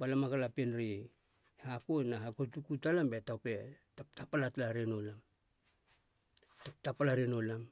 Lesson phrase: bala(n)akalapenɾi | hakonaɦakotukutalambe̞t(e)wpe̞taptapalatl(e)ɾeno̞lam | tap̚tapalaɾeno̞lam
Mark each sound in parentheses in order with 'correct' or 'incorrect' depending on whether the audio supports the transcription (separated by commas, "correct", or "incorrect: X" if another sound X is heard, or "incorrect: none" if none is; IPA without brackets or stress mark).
incorrect: m, incorrect: a, incorrect: a